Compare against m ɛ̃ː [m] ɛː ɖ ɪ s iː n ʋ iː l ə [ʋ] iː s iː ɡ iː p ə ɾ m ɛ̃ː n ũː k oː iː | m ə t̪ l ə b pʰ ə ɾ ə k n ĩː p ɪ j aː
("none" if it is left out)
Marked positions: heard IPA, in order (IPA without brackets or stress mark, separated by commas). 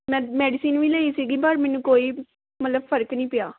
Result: m, none